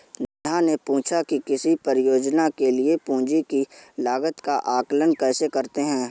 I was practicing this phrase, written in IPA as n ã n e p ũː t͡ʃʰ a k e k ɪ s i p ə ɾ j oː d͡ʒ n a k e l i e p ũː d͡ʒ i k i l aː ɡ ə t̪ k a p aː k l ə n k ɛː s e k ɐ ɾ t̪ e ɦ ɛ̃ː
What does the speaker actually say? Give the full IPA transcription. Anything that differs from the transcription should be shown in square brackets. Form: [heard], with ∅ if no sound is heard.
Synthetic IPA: n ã n e p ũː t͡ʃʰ a k [i] k ɪ s i p ə ɾ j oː d͡ʒ n a k e l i e p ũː d͡ʒ i k i l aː ɡ ə t̪ k a [ʔ] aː k l ə n k ɛː s e k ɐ ɾ t̪ e ɦ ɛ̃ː